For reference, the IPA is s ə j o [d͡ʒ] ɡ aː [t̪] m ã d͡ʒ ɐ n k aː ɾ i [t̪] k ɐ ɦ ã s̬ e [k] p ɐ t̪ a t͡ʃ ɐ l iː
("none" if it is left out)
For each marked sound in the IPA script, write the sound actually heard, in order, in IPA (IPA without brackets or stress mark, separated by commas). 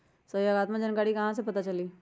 none, t̪, none, none